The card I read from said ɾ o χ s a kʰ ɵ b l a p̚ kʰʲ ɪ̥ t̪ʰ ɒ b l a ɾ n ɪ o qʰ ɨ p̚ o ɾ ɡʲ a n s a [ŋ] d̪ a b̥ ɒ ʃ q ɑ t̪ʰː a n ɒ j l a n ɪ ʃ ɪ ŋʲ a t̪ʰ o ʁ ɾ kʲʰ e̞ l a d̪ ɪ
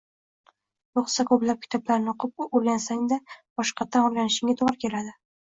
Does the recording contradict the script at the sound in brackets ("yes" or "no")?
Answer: no